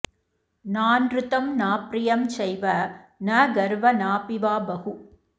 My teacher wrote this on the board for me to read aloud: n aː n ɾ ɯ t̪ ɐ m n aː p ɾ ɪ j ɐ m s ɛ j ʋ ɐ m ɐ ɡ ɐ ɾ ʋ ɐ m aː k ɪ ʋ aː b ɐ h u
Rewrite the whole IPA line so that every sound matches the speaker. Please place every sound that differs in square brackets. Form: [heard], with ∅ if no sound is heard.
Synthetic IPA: n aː n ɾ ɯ t̪ ɐ m n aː p ɾ ɪ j ɐ m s ɛ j ʋ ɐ [n] ɐ ɡ ɐ ɾ ʋ ɐ [n] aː [p] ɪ ʋ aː b ɐ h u

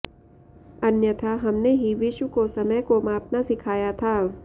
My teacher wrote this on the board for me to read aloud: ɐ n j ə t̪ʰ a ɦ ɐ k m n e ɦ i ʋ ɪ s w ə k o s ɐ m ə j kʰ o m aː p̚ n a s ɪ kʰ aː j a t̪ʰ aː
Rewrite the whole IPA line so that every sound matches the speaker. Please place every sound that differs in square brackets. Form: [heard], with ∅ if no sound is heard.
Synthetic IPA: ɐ n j ə t̪ʰ a ɦ ɐ [∅] m n e ɦ i ʋ ɪ [ʃ] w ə k o s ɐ m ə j [k] o m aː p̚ n a s ɪ kʰ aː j a t̪ʰ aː

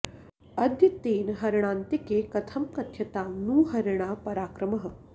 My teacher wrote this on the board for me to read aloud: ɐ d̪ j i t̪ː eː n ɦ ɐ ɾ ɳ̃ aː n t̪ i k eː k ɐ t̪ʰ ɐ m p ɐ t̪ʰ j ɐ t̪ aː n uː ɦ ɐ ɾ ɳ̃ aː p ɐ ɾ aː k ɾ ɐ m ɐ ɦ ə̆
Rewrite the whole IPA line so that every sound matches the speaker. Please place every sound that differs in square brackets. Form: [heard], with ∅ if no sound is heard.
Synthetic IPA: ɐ d̪ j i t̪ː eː n ɦ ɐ ɾ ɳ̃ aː n t̪ i k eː k ɐ t̪ʰ ɐ m [k] ɐ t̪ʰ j ɐ t̪ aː n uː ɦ ɐ ɾ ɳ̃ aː p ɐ ɾ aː k ɾ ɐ m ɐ ɦ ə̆

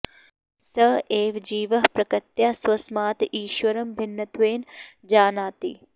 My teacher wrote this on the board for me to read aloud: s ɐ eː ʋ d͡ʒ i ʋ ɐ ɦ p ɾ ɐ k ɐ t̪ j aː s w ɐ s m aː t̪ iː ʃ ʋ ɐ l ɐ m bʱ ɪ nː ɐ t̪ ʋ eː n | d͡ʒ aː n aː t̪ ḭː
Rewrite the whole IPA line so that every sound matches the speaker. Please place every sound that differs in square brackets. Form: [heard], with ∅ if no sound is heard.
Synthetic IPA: s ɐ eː ʋ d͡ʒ [iː] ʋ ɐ ɦ p ɾ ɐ k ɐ t̪ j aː s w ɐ s m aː t̪ iː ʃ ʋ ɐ [ɾ] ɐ m bʱ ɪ nː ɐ t̪ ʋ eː n | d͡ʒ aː n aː t̪ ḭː

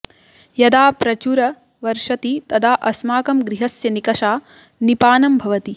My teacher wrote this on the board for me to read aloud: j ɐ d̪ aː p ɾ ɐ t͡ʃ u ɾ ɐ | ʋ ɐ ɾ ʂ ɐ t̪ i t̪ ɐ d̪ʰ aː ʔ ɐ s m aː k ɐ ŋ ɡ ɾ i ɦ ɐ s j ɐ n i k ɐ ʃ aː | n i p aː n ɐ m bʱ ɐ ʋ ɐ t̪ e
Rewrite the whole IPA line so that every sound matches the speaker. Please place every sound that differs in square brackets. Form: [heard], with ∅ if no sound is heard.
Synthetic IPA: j ɐ d̪ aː p ɾ ɐ t͡ʃ u ɾ ɐ | ʋ ɐ ɾ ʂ ɐ t̪ i t̪ ɐ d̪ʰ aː ʔ ɐ s m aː k ɐ [m] ɡ ɾ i ɦ ɐ s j ɐ n i k ɐ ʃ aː | n i p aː n ɐ m bʱ ɐ ʋ ɐ t̪ [i]

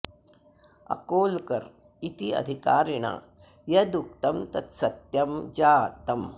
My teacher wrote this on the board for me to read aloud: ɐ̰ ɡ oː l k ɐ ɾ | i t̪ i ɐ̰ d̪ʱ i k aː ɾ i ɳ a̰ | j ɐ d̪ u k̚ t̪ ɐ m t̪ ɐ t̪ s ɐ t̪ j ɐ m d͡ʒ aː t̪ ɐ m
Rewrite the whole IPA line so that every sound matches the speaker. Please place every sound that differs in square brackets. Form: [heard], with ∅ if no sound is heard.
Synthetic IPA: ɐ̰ [k] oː l k ɐ ɾ | i t̪ i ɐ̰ d̪ʱ i k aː ɾ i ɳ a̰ | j ɐ d̪ u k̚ t̪ ɐ m t̪ ɐ t̪ s ɐ t̪ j ɐ m d͡ʒ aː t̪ ɐ m

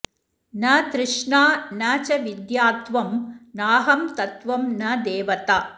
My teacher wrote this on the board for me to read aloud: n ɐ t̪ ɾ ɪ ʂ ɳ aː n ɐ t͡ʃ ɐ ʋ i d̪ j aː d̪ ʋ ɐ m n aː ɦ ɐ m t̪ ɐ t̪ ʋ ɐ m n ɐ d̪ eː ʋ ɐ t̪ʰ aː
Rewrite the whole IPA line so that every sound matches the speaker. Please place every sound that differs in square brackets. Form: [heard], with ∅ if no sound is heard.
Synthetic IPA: n ɐ t̪ ɾ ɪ ʂ ɳ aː n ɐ t͡ʃ ɐ ʋ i d̪ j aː [t̪] ʋ ɐ m n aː ɦ ɐ m t̪ ɐ t̪ ʋ ɐ m n ɐ d̪ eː ʋ ɐ [t̪] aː

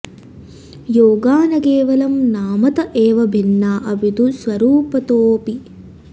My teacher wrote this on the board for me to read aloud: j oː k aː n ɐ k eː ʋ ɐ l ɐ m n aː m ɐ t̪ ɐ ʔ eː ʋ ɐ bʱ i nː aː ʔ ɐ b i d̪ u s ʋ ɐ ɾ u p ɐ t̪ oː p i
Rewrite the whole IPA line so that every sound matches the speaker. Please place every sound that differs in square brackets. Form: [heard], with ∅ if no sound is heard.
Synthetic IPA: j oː [ɡ] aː n ɐ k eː ʋ ɐ l ɐ m n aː m ɐ t̪ ɐ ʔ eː ʋ ɐ bʱ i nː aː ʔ ɐ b i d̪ u s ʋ ɐ ɾ [uː] p ɐ t̪ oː p i

